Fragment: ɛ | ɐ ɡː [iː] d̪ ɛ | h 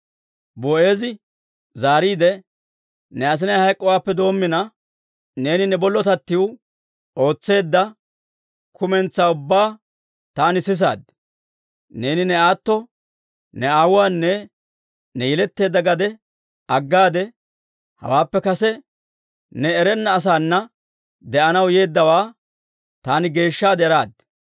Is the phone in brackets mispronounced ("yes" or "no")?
yes